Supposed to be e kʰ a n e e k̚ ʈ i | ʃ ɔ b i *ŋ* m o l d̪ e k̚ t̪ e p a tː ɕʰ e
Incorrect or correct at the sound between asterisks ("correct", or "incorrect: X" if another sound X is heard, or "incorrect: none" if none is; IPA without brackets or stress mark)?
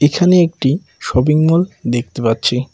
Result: correct